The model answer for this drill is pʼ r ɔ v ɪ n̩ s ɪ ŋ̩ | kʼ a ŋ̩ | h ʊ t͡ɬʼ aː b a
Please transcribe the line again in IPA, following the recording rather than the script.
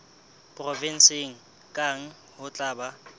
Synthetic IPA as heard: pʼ r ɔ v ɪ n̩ s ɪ ŋ̩ | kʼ a ŋ̩ | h ʊ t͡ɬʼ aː b a